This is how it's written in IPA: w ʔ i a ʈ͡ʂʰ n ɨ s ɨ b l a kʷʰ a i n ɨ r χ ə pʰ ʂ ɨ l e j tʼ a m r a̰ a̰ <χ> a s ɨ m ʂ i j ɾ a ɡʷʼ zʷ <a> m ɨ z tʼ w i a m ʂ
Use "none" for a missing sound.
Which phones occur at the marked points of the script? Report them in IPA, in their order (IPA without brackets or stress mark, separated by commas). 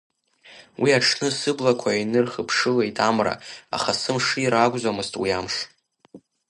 χ, a